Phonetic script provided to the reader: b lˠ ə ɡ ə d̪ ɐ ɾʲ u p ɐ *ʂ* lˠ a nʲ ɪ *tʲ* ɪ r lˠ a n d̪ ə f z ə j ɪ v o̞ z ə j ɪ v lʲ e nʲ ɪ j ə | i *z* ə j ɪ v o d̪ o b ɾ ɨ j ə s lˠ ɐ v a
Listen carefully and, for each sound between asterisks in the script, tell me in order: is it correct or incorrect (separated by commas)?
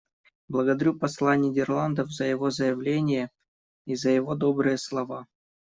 incorrect, incorrect, correct